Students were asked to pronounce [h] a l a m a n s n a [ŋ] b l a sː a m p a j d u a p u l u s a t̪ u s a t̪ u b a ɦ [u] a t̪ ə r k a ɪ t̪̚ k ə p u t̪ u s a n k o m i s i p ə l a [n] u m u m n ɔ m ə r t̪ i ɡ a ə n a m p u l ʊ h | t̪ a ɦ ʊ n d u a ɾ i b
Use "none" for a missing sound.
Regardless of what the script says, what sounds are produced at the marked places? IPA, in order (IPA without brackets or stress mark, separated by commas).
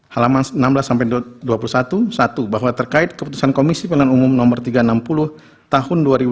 h, m, w, n